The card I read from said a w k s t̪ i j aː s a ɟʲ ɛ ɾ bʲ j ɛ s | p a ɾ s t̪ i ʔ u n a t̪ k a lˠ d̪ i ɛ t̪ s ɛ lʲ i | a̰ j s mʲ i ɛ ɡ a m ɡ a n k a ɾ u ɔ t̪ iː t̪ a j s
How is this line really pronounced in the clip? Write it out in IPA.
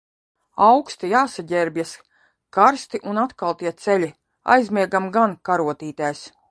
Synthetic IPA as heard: a w k s t̪ i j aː s a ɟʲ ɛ ɾ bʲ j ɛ s | k a ɾ s t̪ i ʔ u n a t̪ k a lˠ t̪ i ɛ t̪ s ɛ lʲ i | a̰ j z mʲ i ɛ ɡ a m ɡ a n k a ɾ u ɔ t̪ iː t̪ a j s